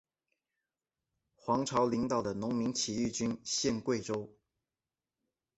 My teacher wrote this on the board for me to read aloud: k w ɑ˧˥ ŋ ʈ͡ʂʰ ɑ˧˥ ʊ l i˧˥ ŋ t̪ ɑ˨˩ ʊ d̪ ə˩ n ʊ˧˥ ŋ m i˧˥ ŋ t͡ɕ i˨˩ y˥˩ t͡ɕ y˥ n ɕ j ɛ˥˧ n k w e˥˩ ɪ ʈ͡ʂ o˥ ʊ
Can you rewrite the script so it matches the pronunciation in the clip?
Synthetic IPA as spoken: x w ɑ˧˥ ŋ ʈ͡ʂʰ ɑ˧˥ ʊ l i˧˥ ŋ t̪ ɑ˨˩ ʊ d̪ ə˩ n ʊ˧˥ ŋ m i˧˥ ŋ t͡ɕʰ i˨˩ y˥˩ t͡ɕ y˥ n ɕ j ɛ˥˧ n k w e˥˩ ɪ ʈ͡ʂ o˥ ʊ